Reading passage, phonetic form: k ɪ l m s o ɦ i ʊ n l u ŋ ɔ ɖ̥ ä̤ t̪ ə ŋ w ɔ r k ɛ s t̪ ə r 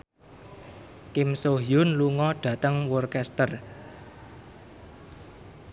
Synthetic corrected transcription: k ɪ m s o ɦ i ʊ n l u ŋ ɔ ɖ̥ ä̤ t̪ ə ŋ w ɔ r k ɛ s t̪ ə r

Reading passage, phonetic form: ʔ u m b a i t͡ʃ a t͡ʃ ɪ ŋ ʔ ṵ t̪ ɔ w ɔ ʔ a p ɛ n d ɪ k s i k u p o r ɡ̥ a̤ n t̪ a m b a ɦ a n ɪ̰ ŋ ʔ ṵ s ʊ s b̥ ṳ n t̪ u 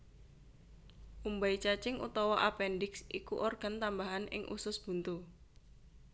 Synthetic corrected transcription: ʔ u m b a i t͡ʃ a t͡ʃ ɪ ŋ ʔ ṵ t̪ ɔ w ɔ ʔ a p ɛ n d ɪ k s i k u ʔ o r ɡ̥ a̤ n t̪ a m b a ɦ a n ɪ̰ ŋ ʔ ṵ s ʊ s b̥ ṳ n t̪ u

